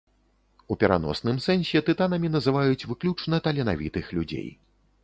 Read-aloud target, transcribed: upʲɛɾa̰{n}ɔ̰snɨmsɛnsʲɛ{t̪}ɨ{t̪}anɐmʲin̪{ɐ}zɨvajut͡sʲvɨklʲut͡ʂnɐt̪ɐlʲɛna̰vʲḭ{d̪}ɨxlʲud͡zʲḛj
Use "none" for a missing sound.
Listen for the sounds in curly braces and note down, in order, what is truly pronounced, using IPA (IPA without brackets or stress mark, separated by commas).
n, t̪, t̪, ɐ, t̪